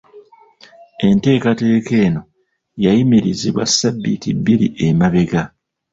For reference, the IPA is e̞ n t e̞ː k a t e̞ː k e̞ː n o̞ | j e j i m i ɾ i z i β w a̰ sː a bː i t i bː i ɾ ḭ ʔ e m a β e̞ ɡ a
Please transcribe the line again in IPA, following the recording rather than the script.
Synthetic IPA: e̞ n t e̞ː k a t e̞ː k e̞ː n o̞ | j a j i m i ɾ i z i β w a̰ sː a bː i t i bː i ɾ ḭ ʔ e m a β e̞ ɡ a